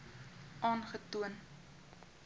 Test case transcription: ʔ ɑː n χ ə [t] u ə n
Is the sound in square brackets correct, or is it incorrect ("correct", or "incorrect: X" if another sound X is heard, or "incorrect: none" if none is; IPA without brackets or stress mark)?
correct